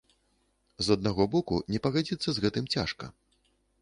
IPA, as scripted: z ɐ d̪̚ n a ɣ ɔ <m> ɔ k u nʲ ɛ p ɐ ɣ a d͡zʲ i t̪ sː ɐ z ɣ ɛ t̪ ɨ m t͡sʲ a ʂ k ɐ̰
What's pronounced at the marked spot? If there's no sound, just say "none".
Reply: b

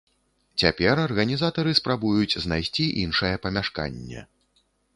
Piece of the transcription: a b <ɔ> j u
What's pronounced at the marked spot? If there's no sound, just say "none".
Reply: u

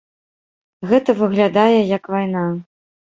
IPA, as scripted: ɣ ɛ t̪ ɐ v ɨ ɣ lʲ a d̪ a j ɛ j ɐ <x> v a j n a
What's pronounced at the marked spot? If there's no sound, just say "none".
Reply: k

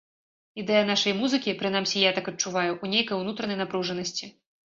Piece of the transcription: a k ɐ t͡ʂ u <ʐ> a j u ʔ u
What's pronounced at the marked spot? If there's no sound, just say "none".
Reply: v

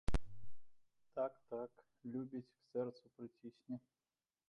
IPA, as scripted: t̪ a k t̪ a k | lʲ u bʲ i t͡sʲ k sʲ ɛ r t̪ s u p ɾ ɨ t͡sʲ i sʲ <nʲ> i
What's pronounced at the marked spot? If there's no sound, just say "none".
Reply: nʲ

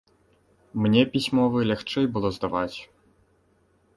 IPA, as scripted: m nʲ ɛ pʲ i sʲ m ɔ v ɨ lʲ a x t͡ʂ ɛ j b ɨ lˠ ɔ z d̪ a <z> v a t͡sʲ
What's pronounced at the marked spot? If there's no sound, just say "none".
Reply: none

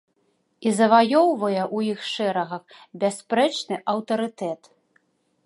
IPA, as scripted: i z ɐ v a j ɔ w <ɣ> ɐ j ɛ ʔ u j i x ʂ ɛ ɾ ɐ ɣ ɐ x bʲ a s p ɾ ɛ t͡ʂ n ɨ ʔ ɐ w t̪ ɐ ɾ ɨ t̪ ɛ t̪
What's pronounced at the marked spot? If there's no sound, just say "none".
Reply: v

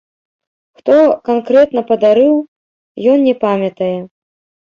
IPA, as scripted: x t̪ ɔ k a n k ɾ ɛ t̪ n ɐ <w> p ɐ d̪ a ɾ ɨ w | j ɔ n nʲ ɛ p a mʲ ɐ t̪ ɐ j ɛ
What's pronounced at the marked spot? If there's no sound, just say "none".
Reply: none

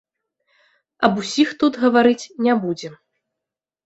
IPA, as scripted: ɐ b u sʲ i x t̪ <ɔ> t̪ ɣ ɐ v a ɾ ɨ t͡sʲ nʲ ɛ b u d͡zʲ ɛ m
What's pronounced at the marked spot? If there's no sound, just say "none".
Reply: u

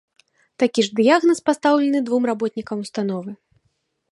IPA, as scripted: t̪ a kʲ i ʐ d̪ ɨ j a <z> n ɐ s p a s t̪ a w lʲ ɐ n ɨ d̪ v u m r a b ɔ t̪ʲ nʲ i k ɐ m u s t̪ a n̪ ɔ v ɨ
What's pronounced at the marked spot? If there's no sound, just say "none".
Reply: ɣ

